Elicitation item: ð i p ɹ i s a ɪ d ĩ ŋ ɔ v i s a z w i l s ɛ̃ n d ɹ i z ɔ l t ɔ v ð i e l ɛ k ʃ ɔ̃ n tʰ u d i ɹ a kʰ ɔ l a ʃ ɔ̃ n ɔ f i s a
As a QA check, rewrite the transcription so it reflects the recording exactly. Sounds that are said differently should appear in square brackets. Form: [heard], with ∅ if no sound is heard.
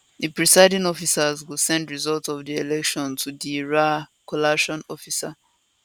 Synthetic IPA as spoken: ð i p ɹ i s a ɪ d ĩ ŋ ɔ [f] i s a z w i l s ɛ̃ n d ɹ i z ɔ l t ɔ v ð i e l ɛ k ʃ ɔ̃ n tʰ u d i ɹ a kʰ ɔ l a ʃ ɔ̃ n ɔ f i s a